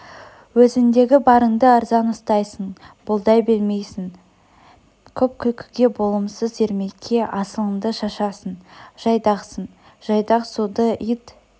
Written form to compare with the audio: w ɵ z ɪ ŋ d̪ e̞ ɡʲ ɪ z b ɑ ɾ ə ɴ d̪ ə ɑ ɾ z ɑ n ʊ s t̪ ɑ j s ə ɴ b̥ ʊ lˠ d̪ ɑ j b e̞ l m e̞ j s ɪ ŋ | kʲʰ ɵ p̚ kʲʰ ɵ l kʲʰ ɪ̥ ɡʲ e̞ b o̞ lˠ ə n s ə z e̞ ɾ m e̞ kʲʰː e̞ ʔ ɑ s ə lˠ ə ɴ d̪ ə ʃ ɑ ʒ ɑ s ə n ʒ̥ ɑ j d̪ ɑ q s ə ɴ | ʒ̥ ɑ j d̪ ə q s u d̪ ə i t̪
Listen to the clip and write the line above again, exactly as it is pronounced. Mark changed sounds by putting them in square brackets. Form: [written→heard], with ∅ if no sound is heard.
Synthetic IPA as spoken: w ɵ z ɪ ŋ d̪ e̞ ɡʲ ɪ [z→∅] b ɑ ɾ ə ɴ d̪ ə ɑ ɾ z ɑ n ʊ s t̪ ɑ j s ə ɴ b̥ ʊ lˠ d̪ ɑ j b e̞ l m e̞ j s ɪ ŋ | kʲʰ ɵ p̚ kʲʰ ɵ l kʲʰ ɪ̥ ɡʲ e̞ b o̞ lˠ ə [n→m] s ə z e̞ ɾ m e̞ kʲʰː e̞ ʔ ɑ s ə lˠ ə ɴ d̪ ə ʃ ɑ [ʒ→ʃ] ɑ s ə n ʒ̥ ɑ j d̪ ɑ q s ə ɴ | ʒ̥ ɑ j d̪ [ə→ɑ] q s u d̪ ə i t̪